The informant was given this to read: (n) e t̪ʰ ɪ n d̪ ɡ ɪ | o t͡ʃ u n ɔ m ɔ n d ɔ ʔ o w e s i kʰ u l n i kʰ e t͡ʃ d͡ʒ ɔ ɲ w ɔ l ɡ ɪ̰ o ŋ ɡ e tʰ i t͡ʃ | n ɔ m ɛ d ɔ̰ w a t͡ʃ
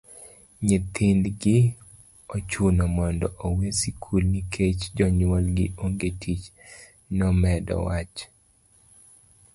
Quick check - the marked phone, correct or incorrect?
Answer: incorrect